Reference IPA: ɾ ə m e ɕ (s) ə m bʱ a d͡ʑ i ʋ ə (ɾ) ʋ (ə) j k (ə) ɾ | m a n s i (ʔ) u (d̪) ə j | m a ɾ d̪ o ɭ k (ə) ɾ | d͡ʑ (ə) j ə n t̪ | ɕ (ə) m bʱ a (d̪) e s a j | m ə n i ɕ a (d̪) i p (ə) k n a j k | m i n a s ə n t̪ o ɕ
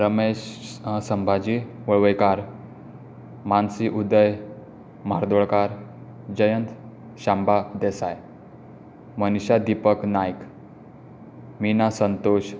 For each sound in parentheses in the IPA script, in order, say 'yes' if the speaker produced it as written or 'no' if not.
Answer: yes, no, yes, no, yes, yes, no, yes, no, yes, yes, yes

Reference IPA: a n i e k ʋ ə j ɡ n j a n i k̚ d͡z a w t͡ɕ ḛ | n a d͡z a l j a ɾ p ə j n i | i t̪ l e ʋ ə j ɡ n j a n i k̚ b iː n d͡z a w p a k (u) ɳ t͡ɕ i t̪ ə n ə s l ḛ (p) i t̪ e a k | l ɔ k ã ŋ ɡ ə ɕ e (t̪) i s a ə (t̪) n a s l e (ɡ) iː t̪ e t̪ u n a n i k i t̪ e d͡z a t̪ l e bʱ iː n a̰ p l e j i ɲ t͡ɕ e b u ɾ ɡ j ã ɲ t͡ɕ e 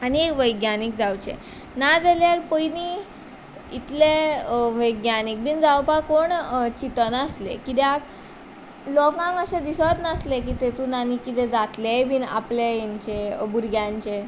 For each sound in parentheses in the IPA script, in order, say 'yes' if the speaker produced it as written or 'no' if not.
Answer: no, no, no, yes, no

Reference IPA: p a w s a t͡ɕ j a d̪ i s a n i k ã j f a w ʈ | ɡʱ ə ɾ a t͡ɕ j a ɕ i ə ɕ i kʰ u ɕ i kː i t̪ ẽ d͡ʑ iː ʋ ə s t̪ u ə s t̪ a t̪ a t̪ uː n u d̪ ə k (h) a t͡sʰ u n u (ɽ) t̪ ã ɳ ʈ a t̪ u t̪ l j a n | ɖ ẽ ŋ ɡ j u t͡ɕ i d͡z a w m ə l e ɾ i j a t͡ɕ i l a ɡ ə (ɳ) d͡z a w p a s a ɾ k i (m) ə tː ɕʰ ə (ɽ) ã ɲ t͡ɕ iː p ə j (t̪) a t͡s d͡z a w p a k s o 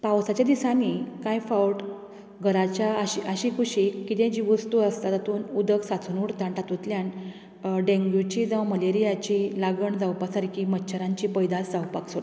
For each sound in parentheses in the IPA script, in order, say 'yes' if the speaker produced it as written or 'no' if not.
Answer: no, yes, yes, yes, no, no

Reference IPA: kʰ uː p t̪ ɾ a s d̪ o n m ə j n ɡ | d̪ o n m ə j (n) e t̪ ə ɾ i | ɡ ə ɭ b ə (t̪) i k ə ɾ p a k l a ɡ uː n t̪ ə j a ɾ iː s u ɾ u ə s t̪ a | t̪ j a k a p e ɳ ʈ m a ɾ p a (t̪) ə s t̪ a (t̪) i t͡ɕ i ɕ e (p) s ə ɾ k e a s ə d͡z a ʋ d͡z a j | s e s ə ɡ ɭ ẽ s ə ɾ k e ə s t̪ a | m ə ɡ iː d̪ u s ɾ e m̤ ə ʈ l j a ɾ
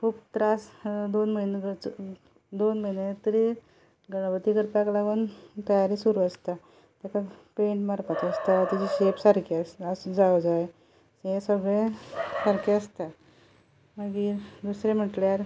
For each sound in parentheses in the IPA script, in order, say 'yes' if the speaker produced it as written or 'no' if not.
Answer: yes, yes, yes, yes, yes

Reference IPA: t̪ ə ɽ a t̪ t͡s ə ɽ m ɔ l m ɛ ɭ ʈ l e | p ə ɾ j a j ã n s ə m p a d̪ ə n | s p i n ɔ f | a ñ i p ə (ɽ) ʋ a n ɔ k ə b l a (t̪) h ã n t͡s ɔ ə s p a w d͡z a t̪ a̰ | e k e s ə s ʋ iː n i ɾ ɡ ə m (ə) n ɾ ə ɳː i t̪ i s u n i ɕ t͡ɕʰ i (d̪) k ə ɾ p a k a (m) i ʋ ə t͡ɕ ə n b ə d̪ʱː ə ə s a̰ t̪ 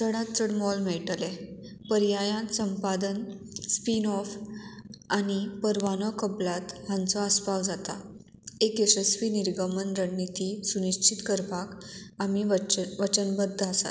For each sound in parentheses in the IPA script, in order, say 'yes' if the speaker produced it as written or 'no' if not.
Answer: no, yes, yes, no, yes

